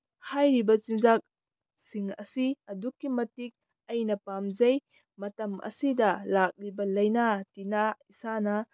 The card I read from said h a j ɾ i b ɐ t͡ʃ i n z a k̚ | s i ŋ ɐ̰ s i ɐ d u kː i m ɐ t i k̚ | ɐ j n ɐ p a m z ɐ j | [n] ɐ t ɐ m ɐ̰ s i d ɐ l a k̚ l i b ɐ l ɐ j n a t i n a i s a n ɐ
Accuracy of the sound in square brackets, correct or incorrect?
incorrect